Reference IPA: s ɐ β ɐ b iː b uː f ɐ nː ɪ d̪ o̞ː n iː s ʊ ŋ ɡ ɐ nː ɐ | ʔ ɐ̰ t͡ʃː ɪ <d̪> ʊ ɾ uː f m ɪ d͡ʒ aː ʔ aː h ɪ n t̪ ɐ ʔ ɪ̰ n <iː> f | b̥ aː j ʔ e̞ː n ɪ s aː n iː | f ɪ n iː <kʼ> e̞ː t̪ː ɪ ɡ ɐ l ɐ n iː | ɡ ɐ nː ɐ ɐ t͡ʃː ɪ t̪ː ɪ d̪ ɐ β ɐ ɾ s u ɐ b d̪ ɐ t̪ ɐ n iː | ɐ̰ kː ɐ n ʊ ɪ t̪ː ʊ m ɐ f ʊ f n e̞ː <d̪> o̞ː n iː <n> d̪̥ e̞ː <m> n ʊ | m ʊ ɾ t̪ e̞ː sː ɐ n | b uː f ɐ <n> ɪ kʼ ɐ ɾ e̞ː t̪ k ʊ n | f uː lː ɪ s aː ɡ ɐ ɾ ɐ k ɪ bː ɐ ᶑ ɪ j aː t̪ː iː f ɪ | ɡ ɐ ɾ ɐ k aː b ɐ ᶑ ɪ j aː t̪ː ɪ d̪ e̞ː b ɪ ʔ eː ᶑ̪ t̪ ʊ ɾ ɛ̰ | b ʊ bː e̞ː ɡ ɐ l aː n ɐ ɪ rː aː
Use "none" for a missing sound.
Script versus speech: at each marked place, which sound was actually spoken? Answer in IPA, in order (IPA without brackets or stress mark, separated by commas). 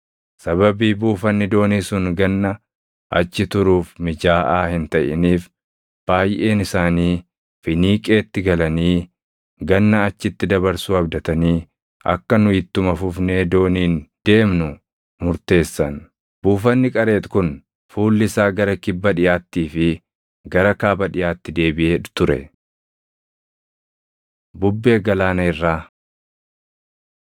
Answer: t̪, iː, kʼ, d̪, n, m, nː